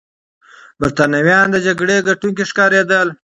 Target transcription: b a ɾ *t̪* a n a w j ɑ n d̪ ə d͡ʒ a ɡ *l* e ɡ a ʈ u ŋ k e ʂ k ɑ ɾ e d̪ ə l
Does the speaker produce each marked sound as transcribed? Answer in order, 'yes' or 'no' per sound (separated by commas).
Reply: yes, no